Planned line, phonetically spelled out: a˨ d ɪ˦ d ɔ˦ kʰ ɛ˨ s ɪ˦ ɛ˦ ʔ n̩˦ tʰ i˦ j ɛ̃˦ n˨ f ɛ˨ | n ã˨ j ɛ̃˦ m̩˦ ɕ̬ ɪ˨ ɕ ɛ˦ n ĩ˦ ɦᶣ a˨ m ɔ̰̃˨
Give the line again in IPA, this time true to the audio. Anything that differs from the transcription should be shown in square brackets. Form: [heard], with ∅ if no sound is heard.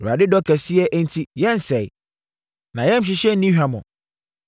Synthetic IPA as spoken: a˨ d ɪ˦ d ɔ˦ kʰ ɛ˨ s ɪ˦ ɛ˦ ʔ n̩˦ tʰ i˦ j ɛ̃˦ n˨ [s] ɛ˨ | n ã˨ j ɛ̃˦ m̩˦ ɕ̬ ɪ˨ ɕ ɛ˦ n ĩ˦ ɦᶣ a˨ m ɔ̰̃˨